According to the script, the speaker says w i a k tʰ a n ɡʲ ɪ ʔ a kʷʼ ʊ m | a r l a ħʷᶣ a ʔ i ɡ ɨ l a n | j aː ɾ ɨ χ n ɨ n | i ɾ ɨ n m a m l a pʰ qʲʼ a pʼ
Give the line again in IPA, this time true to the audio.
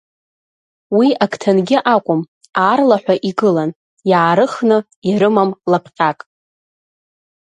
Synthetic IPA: w i a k tʰ a n ɡʲ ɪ ʔ a kʷʼ ʊ m | a r l a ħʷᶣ a ʔ i ɡ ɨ l a n | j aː ɾ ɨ χ n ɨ | i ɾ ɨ m a m l a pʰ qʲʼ a kʼ